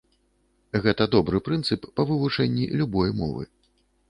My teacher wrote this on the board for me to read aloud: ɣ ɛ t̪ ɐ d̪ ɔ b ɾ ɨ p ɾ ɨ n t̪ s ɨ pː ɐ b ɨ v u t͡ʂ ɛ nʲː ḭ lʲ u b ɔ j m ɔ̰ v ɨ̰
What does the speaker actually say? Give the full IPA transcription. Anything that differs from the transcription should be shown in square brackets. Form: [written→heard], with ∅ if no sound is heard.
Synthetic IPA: ɣ ɛ t̪ ɐ d̪ ɔ b ɾ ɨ p ɾ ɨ n t̪ s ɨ pː ɐ [b→v] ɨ v u t͡ʂ ɛ nʲː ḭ lʲ u b ɔ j m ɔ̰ v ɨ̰